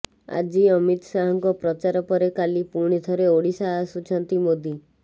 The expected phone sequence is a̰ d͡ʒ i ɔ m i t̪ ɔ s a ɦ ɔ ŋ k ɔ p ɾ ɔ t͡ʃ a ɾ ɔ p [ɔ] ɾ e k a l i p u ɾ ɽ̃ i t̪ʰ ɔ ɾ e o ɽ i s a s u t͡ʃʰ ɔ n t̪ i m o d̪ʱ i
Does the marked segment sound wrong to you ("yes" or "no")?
no